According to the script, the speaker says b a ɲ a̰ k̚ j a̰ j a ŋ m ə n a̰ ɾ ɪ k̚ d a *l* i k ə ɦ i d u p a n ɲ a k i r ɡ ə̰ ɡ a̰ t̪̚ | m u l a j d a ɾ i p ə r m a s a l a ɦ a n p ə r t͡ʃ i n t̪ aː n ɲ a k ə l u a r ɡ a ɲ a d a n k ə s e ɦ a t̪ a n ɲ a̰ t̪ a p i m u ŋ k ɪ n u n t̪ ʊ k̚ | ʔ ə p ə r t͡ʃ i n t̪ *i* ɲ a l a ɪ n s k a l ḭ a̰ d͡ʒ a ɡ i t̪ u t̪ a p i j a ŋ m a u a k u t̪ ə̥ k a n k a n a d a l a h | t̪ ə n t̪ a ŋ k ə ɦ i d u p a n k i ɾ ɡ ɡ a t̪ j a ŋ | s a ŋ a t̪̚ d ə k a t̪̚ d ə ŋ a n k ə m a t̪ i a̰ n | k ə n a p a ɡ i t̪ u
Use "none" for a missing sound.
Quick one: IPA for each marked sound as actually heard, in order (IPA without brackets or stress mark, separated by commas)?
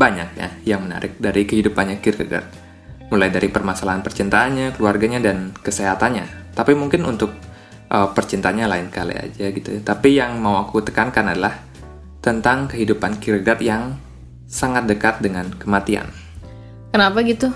ɾ, a